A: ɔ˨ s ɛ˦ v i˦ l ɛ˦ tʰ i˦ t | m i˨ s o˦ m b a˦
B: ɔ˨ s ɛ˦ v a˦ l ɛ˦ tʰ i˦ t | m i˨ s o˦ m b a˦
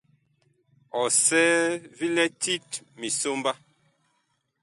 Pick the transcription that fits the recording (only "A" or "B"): A